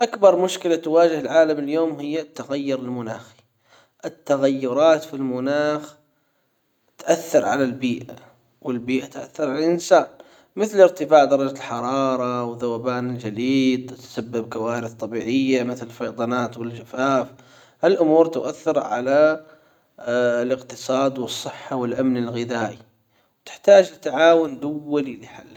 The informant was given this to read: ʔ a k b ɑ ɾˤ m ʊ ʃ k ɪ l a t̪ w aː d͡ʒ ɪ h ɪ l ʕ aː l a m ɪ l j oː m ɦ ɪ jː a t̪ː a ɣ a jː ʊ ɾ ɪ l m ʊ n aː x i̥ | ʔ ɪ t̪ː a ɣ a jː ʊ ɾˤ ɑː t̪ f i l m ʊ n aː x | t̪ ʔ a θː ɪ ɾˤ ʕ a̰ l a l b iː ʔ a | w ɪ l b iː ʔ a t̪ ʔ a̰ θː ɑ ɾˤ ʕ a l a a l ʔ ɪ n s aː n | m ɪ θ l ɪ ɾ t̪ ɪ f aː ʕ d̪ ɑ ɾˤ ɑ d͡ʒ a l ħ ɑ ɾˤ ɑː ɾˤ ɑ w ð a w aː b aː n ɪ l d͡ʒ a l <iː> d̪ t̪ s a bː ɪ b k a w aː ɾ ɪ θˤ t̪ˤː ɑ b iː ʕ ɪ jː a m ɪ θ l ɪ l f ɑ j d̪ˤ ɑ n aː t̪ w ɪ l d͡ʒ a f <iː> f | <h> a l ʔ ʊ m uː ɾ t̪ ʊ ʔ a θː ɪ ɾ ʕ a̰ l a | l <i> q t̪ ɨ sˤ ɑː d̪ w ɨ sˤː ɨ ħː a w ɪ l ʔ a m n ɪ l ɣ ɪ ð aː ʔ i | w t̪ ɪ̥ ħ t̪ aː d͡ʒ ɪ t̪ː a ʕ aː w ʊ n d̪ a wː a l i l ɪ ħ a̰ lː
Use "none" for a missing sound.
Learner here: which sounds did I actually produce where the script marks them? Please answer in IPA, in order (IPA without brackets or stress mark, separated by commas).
iː, aː, h, ɪ